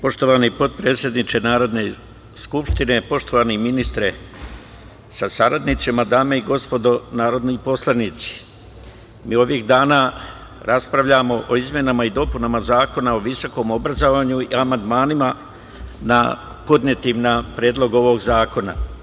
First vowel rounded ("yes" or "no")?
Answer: yes